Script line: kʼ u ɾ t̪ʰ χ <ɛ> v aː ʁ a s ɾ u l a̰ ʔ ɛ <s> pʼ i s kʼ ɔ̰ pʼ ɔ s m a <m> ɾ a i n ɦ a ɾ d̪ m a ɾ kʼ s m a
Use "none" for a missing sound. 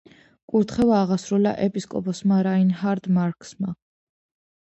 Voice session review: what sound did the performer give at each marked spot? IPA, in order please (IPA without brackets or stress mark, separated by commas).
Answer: ɛ, none, none